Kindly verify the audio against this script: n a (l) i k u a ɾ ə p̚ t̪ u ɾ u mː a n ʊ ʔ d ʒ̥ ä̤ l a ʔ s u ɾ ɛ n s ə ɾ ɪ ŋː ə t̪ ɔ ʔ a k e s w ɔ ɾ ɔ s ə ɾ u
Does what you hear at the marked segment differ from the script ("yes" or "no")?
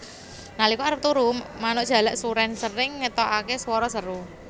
no